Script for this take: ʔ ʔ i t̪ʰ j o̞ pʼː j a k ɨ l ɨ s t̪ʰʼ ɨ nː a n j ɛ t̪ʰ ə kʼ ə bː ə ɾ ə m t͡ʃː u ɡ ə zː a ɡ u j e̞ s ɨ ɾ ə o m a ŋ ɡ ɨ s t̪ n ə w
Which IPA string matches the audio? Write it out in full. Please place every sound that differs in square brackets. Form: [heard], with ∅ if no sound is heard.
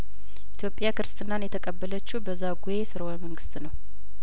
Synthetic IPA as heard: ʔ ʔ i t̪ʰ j o̞ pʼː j a k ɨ [ɾ] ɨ s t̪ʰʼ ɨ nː a n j ɛ t̪ʰ ə kʼ ə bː ə [l] ə [∅] t͡ʃː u [b] ə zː a ɡ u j e̞ s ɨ ɾ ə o m [ə] ŋ ɡ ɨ s t̪ n ə w